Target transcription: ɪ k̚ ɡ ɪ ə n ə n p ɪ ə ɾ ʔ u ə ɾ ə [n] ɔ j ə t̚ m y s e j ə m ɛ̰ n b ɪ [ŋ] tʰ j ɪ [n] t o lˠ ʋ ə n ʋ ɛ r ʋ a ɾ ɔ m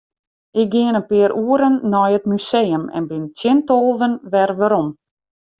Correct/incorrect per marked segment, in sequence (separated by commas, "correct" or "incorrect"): incorrect, incorrect, correct